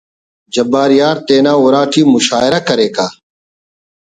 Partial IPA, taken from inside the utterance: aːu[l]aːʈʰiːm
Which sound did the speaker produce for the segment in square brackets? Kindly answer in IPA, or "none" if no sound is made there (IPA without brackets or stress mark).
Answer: ɾ